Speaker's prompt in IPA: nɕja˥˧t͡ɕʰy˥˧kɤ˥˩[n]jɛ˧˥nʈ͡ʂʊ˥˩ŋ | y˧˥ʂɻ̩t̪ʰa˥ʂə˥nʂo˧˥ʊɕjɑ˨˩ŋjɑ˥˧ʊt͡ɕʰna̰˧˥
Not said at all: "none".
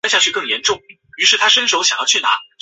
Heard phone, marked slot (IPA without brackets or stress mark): ŋ